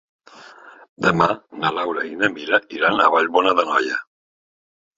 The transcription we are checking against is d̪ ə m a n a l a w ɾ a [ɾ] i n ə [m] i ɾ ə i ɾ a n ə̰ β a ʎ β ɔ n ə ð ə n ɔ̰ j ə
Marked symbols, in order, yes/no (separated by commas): no, yes